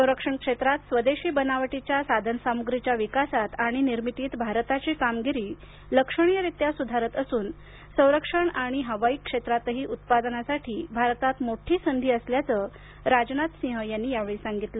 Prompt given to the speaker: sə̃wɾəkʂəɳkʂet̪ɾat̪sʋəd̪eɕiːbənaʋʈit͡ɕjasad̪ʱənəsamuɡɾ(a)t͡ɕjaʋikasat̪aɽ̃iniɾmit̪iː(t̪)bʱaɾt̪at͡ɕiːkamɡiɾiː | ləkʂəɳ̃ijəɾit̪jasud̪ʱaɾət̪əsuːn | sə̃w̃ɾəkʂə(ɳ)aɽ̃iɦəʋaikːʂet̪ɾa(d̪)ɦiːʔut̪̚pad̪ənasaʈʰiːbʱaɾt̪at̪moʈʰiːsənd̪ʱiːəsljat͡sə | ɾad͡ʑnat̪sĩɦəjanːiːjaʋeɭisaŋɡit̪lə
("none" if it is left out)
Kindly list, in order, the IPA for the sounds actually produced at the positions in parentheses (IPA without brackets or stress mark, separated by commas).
i, t̪, ɳ, t̪